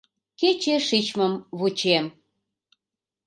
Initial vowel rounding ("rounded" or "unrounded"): unrounded